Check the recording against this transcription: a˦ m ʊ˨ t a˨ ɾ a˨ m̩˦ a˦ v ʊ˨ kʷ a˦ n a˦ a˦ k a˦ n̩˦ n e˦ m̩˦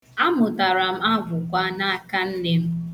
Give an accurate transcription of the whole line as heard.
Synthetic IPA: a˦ m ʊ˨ t a˨ ɾ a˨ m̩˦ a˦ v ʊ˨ kʷ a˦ n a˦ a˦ k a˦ n̩˦ n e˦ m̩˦